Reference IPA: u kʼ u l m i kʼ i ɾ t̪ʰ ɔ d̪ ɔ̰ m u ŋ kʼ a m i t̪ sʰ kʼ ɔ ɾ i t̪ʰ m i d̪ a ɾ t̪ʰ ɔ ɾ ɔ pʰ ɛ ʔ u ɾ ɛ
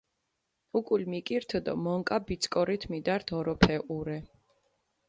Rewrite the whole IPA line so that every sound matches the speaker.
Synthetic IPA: u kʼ u l m i kʼ i ɾ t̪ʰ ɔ d̪ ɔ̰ m ɔ ŋ kʼ a b i t̪ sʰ kʼ ɔ ɾ i t̪ʰ m i d̪ a ɾ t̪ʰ ɔ ɾ ɔ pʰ ɛ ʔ u ɾ ɛ